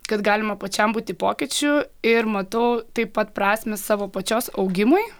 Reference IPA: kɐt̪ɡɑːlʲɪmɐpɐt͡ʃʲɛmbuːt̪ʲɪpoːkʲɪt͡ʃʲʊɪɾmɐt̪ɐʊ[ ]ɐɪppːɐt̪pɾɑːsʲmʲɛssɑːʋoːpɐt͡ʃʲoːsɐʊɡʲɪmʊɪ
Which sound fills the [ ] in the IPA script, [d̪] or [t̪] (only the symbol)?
t̪